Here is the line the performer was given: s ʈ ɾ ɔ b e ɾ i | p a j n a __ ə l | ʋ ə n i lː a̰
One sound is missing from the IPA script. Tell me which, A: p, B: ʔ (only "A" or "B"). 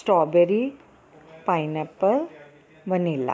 A